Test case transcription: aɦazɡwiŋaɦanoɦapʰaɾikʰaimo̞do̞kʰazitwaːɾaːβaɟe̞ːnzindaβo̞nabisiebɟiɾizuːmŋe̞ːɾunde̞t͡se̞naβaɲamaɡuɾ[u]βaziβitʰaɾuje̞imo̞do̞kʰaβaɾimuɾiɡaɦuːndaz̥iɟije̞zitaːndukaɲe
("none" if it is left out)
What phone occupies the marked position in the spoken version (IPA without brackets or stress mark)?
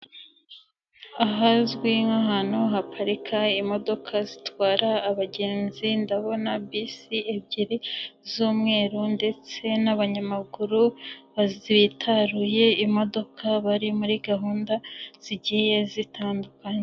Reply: u